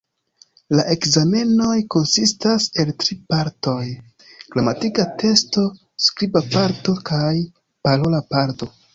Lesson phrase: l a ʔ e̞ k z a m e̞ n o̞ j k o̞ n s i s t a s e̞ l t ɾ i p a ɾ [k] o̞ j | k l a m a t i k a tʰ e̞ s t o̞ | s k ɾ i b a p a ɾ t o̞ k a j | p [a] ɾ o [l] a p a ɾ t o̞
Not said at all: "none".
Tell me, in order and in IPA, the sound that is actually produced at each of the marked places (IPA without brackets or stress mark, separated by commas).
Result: t, a, l